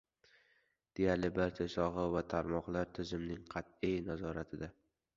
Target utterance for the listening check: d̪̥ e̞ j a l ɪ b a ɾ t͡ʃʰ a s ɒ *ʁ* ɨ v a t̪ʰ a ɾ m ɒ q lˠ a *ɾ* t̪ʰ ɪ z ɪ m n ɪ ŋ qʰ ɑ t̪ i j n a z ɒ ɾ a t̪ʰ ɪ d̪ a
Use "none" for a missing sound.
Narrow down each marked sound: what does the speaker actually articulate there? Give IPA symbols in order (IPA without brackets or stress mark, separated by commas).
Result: ʁ, ɾ